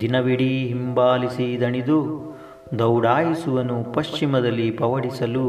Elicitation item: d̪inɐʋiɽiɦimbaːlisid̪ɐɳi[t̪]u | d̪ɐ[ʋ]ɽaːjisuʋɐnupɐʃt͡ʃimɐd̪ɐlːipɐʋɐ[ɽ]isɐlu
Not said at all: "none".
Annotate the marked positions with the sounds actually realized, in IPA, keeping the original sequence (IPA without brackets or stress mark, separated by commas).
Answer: d̪, w, ɽ